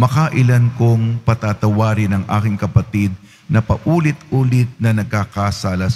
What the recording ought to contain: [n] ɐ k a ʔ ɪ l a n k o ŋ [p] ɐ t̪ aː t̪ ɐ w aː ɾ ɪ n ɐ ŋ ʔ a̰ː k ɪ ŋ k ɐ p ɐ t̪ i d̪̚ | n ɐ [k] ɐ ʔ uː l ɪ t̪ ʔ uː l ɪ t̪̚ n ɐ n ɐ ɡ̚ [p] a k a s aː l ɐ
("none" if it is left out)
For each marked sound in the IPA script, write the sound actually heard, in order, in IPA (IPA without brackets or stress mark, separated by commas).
m, p, p, k